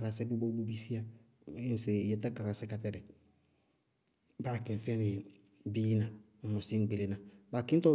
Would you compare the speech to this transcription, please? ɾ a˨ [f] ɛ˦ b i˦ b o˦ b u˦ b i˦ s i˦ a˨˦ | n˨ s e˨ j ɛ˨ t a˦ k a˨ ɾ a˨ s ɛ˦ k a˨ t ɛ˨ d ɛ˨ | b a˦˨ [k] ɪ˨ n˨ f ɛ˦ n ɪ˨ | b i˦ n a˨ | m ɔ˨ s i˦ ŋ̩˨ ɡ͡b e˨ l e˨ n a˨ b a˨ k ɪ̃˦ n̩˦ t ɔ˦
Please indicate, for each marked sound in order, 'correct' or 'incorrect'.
incorrect, correct

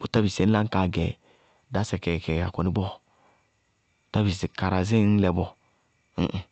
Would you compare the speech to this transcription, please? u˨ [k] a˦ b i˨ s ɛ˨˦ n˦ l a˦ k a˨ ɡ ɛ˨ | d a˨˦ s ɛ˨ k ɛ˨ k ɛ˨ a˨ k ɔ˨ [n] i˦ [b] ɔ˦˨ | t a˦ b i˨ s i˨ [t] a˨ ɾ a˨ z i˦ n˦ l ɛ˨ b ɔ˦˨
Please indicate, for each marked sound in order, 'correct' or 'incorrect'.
incorrect, correct, correct, incorrect

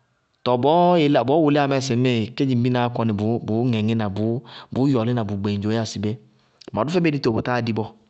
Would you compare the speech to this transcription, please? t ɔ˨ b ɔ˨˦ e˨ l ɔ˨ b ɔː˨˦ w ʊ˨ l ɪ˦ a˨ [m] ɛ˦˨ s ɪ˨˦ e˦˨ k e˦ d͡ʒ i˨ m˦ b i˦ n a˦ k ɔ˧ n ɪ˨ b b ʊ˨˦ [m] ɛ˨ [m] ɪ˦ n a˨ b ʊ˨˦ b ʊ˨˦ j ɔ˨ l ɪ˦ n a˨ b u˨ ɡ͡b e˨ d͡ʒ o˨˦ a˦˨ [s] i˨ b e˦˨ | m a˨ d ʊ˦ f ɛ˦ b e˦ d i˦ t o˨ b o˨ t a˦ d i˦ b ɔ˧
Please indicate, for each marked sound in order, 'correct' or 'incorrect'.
correct, incorrect, incorrect, correct

